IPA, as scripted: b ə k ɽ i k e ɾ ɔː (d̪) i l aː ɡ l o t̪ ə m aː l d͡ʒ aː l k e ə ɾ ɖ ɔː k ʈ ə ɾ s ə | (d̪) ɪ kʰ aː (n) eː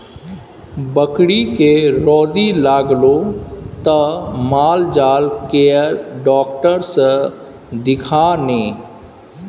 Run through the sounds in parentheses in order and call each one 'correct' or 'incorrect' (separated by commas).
correct, correct, correct